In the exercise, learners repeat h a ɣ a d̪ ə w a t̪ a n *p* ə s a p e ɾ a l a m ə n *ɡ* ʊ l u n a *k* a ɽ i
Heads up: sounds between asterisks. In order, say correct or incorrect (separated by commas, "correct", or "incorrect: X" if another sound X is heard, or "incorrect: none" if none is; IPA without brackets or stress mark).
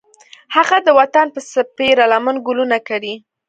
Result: correct, correct, correct